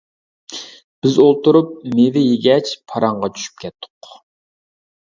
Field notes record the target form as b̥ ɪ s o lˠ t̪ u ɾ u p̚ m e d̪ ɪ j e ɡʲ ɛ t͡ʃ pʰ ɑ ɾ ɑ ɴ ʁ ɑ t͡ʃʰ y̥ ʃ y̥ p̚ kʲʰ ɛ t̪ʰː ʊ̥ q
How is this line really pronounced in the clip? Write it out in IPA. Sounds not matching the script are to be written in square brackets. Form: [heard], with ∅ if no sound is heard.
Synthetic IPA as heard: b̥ ɪ [z] o lˠ t̪ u ɾ u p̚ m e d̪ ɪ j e ɡʲ ɛ t͡ʃ pʰ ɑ ɾ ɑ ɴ ʁ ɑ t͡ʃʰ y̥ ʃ y̥ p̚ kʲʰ ɛ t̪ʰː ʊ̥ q